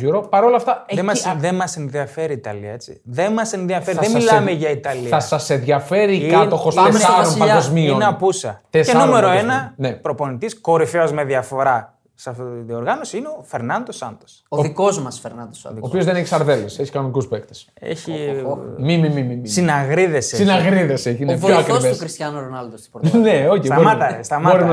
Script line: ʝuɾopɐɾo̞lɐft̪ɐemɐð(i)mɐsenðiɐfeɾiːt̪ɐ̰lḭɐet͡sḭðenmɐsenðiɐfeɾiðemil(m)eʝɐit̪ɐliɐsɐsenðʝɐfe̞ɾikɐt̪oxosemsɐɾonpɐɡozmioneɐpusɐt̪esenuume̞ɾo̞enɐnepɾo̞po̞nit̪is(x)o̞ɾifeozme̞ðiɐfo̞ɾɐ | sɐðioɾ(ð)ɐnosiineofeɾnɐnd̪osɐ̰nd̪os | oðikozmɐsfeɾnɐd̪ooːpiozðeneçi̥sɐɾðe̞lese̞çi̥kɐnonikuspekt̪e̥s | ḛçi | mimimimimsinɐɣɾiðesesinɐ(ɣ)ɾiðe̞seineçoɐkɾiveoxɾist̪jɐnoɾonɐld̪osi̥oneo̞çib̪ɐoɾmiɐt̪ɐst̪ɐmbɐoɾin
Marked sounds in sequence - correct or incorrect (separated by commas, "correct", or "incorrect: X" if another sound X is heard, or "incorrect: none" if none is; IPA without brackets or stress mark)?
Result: incorrect: e, correct, incorrect: k, incorrect: ɣ, correct